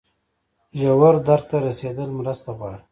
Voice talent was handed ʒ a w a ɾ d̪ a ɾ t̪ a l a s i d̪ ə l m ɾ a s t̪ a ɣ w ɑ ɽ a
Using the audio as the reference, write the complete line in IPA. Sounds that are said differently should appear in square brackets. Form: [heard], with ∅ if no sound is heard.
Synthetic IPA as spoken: ʒ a w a ɾ d̪ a ɾ t̪ a [ɾ] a s [e] d̪ ə l m ɾ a s t̪ a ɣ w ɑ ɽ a